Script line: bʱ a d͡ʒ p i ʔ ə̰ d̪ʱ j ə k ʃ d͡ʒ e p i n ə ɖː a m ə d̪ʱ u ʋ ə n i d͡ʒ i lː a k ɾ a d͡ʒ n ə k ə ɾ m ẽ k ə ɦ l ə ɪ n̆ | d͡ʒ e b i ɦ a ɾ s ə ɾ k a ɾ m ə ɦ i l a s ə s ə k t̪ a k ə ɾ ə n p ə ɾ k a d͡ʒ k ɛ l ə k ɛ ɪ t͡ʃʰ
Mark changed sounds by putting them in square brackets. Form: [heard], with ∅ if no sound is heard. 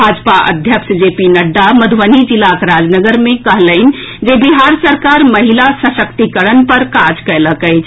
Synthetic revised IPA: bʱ a d͡ʒ p [a] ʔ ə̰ d̪ʱ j ə k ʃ d͡ʒ e p i n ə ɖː a m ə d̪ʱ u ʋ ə n i d͡ʒ i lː a k ɾ a d͡ʒ n ə [ɡ] ə ɾ m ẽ k ə ɦ l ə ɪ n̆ | d͡ʒ e b i ɦ a ɾ s ə ɾ k a ɾ m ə ɦ i l a s ə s ə k t̪ [i] k ə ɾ ə n p ə ɾ k a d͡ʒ k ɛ l ə k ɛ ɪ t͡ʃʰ